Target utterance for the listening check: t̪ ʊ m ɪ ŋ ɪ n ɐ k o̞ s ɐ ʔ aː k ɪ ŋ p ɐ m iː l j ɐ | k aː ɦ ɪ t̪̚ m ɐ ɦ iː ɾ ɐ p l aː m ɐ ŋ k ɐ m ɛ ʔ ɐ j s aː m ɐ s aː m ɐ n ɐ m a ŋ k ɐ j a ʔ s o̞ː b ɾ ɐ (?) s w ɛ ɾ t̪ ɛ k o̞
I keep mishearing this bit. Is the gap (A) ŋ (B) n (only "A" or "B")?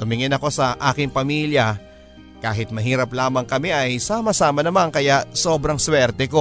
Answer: A